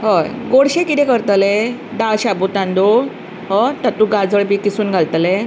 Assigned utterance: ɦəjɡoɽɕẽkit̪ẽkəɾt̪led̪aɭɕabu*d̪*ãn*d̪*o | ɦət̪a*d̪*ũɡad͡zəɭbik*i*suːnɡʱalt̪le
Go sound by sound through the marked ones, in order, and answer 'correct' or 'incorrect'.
incorrect: t̪, correct, incorrect: t̪, correct

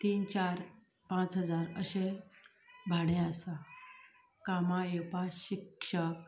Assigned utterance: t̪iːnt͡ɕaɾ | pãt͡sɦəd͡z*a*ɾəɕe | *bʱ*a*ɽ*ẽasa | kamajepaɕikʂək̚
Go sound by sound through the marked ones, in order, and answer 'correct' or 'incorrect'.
correct, correct, correct

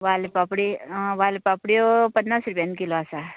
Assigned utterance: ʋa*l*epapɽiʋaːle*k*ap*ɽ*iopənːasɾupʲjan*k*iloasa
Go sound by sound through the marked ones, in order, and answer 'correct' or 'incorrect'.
correct, incorrect: p, correct, correct

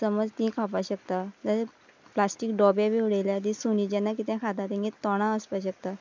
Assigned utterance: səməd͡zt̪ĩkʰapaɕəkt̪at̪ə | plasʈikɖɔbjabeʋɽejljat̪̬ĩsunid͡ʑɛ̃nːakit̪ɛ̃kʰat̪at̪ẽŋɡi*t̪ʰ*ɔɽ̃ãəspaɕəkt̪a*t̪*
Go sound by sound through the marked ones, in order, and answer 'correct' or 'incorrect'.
incorrect: t̪, incorrect: none

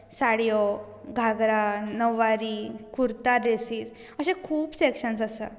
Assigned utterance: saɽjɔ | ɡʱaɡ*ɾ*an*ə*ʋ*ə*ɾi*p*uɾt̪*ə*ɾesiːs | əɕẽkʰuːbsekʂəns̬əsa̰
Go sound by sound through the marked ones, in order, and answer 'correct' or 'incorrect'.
correct, correct, incorrect: a, incorrect: k, incorrect: a

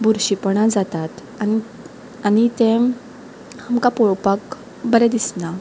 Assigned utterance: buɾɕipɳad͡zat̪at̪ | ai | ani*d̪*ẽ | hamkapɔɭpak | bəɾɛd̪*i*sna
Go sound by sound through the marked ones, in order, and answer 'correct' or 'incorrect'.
incorrect: t̪, correct

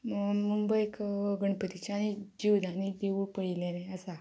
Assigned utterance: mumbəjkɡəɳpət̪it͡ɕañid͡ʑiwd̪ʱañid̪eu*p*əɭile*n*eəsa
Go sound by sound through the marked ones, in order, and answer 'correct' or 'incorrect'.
correct, correct

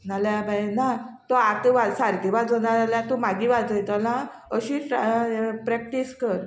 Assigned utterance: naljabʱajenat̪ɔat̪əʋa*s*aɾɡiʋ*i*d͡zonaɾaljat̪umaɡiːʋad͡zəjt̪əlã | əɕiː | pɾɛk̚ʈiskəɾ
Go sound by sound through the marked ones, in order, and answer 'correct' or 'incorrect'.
correct, incorrect: a

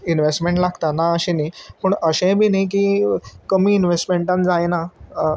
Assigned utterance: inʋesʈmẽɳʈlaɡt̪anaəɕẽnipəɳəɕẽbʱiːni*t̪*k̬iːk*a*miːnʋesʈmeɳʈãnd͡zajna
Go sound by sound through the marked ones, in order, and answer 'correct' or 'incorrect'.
incorrect: none, incorrect: ə

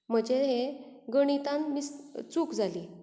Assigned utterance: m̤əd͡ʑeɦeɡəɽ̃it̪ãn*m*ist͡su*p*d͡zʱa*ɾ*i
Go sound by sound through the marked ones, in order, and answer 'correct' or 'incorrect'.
correct, incorrect: k, incorrect: l

